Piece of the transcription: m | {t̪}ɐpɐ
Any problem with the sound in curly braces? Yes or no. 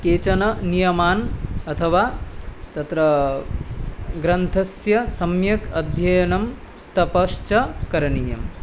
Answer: no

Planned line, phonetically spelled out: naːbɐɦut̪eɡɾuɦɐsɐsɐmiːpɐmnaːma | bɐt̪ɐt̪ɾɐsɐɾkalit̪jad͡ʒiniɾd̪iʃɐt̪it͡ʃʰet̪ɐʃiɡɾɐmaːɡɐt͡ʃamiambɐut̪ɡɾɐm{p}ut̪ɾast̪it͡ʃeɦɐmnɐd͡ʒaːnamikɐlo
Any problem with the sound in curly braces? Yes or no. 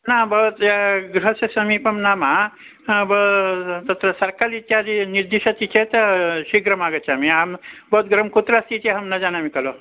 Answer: yes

